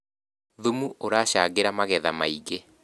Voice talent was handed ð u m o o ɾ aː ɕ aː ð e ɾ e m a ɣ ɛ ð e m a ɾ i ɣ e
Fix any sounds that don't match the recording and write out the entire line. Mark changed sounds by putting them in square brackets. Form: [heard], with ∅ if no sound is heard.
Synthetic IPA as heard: ð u m [u] o ɾ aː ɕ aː [ɣ] e ɾ [a] m a ɣ ɛ ð [a] m a [∅] i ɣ e